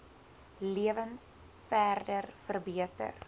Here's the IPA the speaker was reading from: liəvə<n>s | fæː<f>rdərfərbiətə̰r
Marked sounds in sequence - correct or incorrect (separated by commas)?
correct, incorrect